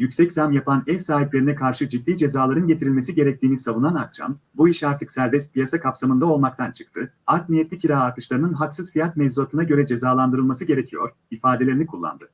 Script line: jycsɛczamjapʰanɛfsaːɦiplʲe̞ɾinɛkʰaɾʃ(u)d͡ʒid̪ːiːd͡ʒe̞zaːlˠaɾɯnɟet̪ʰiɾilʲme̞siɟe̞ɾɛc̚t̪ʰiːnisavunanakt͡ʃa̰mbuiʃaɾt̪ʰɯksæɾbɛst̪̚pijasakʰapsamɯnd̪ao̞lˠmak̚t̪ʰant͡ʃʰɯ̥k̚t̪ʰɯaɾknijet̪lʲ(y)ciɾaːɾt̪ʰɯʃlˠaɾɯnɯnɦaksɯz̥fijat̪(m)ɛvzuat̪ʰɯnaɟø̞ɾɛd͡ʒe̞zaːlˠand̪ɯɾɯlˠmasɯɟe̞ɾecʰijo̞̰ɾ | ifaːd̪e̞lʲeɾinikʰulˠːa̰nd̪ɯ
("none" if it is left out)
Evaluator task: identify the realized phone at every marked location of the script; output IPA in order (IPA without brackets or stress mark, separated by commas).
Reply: ɯ, i, m